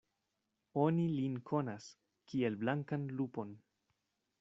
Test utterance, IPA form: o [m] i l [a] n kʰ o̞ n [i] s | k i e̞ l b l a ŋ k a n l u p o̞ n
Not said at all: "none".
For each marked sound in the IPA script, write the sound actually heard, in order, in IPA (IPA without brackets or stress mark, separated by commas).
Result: n, i, a